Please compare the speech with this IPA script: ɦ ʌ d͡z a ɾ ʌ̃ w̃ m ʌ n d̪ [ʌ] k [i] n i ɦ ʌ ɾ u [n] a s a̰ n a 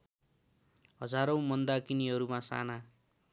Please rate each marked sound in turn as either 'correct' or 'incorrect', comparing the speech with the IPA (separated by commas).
incorrect, correct, incorrect